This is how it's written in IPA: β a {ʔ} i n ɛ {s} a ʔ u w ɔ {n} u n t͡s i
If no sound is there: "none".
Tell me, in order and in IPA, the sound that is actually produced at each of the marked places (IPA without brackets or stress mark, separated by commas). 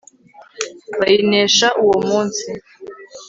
none, ʃ, m